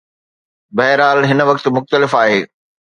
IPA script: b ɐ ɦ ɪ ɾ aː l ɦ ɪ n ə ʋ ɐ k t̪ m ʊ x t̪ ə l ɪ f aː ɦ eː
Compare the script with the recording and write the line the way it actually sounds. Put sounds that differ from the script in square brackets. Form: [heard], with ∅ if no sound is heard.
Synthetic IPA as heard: b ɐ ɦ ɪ ɾ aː l ɦ ɪ n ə ʋ ɐ k t̪ m ʊ x t̪ ə l ɪ f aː ɦ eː

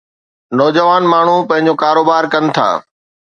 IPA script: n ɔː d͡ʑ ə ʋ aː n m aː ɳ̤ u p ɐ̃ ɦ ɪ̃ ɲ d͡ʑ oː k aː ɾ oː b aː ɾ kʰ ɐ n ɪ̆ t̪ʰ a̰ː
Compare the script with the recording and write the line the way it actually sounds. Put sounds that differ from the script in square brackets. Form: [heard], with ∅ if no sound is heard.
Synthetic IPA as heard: n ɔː d͡ʑ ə ʋ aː n m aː ɳ̤ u p ɐ̃ ɦ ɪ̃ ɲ d͡ʑ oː k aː ɾ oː b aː ɾ [k] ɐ n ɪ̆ t̪ʰ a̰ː

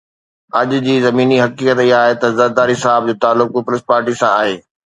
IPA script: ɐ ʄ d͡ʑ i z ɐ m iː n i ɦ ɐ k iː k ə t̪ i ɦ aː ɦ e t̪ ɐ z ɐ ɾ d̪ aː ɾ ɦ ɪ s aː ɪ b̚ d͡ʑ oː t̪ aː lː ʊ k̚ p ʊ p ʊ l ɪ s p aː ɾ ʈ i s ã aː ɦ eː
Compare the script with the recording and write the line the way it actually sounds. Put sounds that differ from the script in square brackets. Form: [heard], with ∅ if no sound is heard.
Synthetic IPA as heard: ɐ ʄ d͡ʑ [iː] z ɐ m iː n i ɦ ɐ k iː k ə t̪ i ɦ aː ɦ e t̪ ɐ z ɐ ɾ d̪ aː ɾ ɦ ɪ s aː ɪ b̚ d͡ʑ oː t̪ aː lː ʊ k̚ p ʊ p ʊ l ɪ s p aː ɾ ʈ i s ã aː ɦ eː

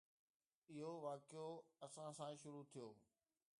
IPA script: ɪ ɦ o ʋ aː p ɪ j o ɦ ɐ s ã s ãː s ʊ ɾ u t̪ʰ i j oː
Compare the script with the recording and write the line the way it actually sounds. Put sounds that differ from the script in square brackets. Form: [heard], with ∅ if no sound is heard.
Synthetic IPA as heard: ɪ ɦ o ʋ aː [k] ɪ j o [∅] ɐ s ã s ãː [ʃ] ʊ ɾ u t̪ʰ i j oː

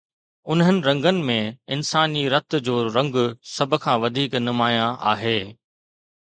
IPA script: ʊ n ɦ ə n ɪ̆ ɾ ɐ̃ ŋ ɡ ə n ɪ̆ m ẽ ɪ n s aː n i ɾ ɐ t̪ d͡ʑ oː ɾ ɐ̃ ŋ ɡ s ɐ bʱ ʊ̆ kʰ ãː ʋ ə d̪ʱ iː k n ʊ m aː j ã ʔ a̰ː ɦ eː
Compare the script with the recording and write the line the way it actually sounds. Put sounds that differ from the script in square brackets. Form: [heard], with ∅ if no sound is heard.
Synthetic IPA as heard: ʊ n ɦ ə n ɪ̆ ɾ ɐ̃ ŋ ɡ ə n ɪ̆ m ẽ ɪ n s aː n i ɾ ɐ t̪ d͡ʑ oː ɾ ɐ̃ ŋ ɡ s ɐ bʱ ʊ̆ kʰ ãː ʋ [ɐ] d̪ʱ iː k n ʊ m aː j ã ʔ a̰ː ɦ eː

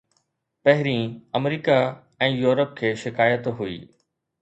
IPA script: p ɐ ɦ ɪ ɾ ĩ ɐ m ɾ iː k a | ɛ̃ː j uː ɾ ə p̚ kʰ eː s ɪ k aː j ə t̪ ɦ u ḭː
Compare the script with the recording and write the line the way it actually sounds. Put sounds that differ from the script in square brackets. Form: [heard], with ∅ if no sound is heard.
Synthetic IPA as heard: p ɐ ɦ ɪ ɾ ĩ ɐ m ɾ iː k a | ɛ̃ː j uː ɾ ə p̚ kʰ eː [ʃ] ɪ k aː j ə t̪ ɦ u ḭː

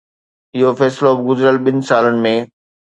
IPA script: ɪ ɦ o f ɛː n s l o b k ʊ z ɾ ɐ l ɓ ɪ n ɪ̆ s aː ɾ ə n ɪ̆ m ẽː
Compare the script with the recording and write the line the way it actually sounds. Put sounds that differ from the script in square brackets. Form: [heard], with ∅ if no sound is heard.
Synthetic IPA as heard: ɪ ɦ o f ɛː [∅] s l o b [ɡ] ʊ z ɾ [ə] l ɓ ɪ n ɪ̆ s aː [l] ə n ɪ̆ m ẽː

